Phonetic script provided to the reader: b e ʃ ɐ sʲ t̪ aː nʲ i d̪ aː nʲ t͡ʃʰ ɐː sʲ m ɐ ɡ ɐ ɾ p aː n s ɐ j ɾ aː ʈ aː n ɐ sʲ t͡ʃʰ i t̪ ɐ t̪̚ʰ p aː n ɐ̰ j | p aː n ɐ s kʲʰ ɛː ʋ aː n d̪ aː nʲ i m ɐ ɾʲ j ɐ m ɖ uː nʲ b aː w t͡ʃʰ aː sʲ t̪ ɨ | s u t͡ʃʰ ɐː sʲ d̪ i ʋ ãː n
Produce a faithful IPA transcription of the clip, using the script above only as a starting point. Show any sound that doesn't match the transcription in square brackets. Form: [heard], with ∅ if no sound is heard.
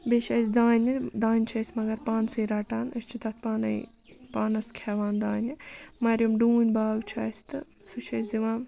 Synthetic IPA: b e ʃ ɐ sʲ [d̪] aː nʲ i d̪ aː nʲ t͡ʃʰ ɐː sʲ m ɐ ɡ ɐ ɾ p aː n s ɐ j ɾ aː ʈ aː n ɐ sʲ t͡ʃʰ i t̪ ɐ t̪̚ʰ p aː n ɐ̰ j | p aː n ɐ s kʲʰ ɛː ʋ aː n d̪ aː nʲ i m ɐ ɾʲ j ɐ m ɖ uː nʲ b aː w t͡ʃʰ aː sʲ t̪ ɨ | s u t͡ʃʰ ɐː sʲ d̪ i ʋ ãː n